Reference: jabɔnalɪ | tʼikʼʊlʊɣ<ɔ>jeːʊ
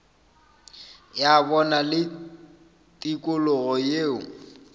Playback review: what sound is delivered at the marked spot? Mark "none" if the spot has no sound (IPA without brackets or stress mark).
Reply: ɔ